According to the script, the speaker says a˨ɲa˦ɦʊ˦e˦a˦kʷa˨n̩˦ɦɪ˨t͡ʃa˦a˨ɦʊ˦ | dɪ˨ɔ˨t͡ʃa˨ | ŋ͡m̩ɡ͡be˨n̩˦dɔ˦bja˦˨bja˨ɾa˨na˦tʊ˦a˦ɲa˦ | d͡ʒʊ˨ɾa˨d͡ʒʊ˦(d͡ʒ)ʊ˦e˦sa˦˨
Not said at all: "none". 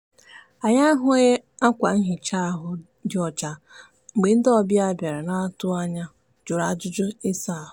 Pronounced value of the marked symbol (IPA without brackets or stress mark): d͡ʒ